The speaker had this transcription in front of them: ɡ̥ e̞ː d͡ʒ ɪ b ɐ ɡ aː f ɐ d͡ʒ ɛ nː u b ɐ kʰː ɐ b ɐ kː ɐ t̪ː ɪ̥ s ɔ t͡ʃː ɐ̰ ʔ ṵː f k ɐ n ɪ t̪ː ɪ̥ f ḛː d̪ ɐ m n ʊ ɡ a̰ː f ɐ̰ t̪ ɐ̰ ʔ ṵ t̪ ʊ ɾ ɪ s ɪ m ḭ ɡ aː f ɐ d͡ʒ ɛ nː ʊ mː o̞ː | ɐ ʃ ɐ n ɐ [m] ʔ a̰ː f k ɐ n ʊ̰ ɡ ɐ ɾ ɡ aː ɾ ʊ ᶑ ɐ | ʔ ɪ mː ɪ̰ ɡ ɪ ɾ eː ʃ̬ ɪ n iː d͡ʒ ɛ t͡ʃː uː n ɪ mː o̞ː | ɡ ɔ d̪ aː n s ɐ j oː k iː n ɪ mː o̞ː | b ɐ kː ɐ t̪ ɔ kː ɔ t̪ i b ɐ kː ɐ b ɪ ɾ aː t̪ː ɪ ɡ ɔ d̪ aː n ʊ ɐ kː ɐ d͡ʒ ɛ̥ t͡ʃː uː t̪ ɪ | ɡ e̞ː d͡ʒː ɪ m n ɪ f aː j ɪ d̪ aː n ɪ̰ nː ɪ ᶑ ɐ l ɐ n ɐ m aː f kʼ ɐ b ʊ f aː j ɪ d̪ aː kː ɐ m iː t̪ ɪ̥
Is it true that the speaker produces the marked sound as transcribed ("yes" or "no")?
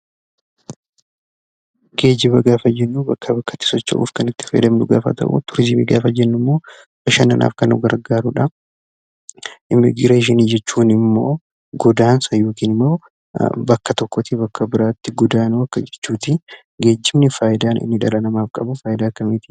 no